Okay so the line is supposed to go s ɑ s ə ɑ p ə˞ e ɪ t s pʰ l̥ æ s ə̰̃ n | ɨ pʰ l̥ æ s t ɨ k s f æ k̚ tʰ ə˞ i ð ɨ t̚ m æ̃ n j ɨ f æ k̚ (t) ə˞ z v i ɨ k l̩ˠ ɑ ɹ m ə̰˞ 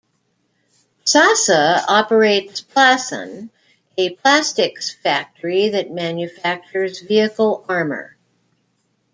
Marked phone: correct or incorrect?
incorrect